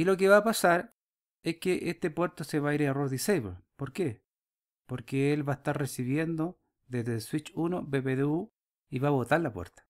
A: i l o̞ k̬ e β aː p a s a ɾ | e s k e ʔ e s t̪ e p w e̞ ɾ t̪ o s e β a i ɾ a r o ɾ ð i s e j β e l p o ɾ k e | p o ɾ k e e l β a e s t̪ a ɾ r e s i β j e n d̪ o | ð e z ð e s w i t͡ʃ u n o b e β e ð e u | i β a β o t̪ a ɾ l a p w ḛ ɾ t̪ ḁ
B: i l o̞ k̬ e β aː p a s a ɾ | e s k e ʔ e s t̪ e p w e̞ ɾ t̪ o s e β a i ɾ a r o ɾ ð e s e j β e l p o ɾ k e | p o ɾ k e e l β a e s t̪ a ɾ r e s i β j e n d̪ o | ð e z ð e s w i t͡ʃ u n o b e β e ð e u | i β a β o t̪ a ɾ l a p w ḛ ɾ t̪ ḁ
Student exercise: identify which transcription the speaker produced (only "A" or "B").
A